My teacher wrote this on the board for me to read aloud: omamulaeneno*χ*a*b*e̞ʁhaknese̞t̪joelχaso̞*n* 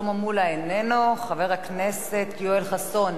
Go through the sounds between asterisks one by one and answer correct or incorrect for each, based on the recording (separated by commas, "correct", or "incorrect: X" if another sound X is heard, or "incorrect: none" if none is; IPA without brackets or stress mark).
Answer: correct, incorrect: v, correct